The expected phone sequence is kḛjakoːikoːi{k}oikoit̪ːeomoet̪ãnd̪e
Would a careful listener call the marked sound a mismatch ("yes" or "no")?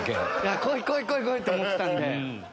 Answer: no